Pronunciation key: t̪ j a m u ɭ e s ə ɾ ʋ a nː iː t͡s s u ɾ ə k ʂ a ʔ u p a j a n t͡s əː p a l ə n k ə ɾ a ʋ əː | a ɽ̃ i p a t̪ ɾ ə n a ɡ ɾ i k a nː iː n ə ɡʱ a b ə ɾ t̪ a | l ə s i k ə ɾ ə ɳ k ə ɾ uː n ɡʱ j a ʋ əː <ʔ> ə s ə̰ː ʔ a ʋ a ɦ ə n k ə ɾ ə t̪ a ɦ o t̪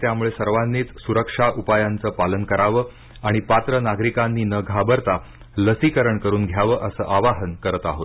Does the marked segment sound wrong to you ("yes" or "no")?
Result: no